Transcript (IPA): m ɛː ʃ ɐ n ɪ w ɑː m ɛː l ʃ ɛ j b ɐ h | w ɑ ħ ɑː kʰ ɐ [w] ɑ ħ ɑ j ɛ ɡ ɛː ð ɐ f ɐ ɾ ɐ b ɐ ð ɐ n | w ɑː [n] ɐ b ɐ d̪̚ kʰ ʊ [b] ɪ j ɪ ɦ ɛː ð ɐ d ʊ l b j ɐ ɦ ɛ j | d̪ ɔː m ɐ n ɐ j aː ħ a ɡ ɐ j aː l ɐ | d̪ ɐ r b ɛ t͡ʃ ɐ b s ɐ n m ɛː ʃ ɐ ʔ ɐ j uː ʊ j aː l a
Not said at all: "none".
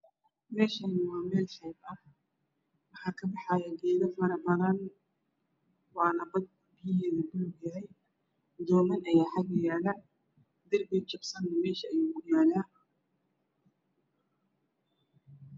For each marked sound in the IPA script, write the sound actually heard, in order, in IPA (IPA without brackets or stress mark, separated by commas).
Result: b, n, b